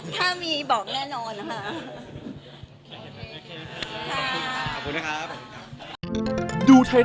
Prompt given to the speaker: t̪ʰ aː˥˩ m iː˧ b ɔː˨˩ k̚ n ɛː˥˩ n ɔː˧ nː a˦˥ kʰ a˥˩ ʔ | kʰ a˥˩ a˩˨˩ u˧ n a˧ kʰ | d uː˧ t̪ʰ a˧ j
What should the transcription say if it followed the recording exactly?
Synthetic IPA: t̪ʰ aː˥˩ m iː˧ b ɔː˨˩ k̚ n ɛː˥˩ n ɔː˧ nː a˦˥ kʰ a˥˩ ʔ | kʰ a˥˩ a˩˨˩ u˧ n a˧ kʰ | d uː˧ t̪ʰ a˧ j